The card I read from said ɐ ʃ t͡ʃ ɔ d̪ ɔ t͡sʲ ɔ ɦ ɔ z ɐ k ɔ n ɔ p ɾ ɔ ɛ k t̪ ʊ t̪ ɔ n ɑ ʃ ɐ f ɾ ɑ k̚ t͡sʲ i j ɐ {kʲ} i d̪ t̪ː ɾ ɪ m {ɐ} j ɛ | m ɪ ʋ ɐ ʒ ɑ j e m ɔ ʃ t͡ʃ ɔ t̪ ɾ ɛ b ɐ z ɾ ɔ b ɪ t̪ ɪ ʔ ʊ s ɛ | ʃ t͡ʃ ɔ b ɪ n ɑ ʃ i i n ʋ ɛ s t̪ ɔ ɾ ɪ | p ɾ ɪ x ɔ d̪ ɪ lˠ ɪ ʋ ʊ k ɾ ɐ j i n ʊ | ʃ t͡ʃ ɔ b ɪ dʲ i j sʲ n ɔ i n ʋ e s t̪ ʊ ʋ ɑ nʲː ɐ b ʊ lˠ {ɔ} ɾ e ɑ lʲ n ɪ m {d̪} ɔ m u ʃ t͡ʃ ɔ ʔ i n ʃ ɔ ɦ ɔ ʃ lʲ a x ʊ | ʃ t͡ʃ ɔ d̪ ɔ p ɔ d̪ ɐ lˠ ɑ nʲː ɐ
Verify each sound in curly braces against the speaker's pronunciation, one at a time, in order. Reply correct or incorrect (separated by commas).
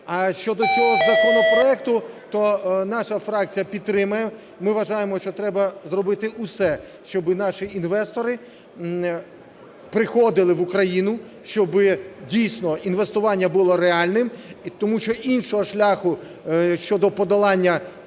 incorrect, correct, correct, incorrect